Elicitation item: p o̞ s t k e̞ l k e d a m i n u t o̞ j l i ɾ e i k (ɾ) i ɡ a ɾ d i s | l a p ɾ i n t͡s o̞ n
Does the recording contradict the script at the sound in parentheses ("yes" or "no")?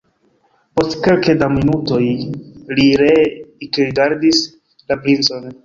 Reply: no